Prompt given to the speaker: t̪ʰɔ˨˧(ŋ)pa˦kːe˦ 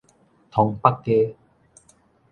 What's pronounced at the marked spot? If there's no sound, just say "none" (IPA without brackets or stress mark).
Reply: ŋ